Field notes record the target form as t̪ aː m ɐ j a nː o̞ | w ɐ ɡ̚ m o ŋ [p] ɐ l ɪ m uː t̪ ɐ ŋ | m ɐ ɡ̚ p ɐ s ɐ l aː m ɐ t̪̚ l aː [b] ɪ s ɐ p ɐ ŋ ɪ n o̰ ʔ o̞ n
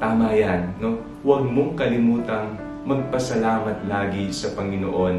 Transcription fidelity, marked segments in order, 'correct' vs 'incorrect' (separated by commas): incorrect, incorrect